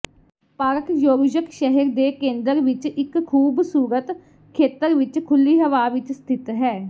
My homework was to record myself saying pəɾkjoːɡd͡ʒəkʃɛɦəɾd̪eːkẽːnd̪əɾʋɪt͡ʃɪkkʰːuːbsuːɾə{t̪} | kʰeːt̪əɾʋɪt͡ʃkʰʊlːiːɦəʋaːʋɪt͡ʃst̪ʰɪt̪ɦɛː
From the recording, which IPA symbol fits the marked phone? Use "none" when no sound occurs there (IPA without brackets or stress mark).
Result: t̪